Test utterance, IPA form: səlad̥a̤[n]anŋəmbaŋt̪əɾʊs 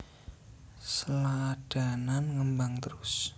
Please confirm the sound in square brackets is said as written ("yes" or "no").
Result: yes